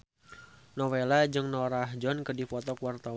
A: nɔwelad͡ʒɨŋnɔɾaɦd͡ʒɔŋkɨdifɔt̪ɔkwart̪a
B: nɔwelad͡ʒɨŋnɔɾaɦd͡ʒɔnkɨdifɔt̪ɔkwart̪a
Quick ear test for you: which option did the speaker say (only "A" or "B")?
B